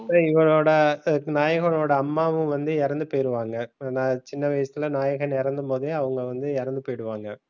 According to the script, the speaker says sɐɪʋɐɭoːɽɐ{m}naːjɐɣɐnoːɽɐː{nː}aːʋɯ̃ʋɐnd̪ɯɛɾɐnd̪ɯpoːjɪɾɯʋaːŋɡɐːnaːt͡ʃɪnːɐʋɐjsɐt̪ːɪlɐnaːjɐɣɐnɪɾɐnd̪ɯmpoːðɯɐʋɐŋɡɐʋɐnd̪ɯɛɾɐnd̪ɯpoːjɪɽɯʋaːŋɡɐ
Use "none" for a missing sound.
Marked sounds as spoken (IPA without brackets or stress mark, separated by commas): none, mː